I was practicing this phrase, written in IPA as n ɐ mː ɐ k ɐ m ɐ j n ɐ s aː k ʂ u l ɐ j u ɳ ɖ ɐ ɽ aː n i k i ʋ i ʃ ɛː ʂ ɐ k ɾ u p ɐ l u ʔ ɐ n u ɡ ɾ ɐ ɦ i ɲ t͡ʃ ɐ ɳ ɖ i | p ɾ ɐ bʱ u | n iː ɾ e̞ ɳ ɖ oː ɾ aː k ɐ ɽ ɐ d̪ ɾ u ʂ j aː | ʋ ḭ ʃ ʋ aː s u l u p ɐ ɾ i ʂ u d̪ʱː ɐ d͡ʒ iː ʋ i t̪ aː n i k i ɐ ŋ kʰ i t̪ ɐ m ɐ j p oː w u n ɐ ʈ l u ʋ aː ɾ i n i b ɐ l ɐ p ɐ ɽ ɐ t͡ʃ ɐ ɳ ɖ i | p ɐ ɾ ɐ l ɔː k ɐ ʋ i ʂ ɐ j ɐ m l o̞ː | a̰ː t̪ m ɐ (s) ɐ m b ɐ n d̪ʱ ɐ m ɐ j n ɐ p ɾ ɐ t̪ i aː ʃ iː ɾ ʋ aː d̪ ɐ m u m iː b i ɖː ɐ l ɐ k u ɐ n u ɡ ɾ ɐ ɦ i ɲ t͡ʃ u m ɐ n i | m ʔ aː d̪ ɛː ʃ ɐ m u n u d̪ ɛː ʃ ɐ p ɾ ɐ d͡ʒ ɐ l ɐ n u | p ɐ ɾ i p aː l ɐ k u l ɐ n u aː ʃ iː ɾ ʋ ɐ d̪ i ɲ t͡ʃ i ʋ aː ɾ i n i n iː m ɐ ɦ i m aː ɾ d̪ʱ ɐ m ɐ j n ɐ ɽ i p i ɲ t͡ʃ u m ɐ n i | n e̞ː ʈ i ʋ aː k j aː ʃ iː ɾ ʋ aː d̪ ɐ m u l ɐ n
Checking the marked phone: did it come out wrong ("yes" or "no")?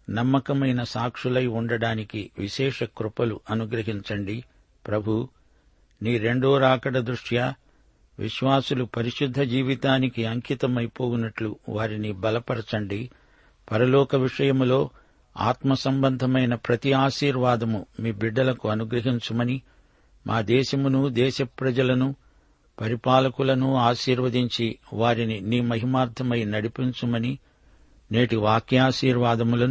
no